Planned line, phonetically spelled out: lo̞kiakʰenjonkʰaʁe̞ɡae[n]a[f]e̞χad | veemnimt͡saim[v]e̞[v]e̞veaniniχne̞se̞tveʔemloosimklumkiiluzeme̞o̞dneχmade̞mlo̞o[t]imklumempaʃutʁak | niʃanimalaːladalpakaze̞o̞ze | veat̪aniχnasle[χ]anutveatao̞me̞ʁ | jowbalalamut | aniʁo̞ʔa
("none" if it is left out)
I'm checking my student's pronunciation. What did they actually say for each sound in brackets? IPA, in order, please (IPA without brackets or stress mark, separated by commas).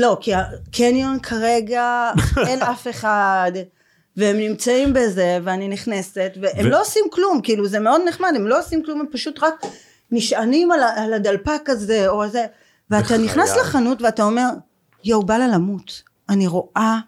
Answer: n, f, b, z, s, χ